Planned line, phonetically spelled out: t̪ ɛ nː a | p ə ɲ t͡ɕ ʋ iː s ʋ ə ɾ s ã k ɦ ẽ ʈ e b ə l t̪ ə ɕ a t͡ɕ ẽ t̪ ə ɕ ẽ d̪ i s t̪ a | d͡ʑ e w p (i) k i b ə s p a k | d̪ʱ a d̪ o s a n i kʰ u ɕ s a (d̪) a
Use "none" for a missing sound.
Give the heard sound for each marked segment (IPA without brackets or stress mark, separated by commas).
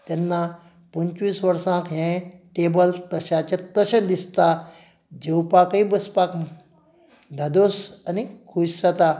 a, t̪